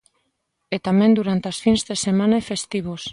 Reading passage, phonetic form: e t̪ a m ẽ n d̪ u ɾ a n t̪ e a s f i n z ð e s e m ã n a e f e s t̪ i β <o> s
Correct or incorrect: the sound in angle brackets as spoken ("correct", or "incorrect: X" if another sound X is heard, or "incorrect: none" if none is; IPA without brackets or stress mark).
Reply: correct